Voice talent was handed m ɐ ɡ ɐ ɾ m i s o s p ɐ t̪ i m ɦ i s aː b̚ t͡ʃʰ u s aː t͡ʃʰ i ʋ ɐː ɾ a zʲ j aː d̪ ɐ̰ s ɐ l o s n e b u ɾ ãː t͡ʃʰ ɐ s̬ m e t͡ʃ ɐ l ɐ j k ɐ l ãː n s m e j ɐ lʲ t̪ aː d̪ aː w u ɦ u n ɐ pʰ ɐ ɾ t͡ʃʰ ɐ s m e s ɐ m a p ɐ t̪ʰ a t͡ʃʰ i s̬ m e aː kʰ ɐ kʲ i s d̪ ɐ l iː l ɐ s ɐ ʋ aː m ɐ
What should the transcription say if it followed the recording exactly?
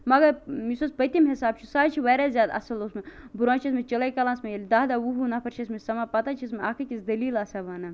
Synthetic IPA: m ɐ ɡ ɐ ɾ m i s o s p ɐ t̪ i m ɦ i s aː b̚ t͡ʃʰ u s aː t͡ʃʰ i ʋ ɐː ɾ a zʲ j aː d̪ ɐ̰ s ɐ l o s m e b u ɾ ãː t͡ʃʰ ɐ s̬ m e t͡ʃ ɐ l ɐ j k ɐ l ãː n s m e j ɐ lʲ d̪ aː d̪ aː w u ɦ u n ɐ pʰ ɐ ɾ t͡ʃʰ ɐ s m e s ɐ m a p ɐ t̪ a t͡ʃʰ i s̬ m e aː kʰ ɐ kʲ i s d̪ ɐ l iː l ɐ s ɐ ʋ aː n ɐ

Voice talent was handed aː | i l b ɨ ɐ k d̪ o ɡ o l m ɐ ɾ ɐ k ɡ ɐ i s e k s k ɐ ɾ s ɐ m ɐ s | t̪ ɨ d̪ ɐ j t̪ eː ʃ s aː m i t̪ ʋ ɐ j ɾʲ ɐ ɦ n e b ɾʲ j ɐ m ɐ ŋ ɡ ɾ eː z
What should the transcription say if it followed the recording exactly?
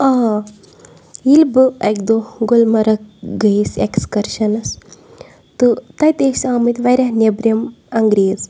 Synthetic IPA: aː | i l b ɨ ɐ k d̪ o ɡ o l m ɐ ɾ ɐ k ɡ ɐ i s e k s k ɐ ɾ ʃ ɐ n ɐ s | t̪ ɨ t̪ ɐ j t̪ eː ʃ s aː m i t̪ ʋ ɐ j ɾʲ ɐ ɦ n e b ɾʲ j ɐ m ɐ ŋ ɡ ɾ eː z

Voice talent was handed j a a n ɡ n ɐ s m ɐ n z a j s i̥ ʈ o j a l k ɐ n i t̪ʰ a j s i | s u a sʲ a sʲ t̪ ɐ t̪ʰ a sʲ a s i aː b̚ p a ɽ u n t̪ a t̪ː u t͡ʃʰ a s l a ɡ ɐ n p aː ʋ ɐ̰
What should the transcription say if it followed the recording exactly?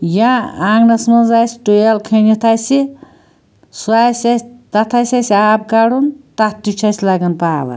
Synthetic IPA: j a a ŋ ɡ n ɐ s m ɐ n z a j s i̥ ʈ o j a l kʰ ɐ n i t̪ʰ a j s i | s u a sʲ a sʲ t̪ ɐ t̪ʰ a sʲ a s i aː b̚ k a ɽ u n t̪ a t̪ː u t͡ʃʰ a s l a ɡ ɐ n p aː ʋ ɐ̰

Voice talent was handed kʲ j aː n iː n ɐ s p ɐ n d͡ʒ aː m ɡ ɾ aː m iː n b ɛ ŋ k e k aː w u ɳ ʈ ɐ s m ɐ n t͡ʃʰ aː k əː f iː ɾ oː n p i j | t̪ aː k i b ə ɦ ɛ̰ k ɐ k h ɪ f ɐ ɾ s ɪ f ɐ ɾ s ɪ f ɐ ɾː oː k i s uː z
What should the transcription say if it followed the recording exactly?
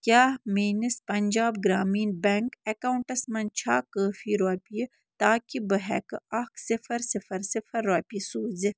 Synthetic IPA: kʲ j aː m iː n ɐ s p ɐ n d͡ʒ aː b ɡ ɾ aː m iː n b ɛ ŋ k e k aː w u ɳ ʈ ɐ s m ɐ n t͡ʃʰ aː k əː f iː ɾ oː p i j | t̪ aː k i b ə ɦ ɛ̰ k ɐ k s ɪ f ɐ ɾ s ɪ f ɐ ɾ s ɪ f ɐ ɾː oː p i s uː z

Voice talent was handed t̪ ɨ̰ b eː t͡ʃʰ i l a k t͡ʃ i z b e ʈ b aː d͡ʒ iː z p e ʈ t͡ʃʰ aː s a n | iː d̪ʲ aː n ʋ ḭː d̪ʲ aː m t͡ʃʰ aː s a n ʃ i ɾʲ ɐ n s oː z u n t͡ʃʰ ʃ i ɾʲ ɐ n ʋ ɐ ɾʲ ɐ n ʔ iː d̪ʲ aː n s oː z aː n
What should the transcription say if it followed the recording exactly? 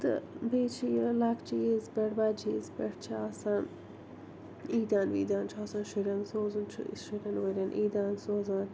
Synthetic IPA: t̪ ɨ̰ b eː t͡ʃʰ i l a k t͡ʃ i z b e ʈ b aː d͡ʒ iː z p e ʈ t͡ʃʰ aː s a n | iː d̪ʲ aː n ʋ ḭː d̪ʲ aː n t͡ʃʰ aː s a n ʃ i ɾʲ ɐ n s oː z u n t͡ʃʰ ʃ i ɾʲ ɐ n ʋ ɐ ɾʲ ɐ n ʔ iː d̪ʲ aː n s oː z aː n

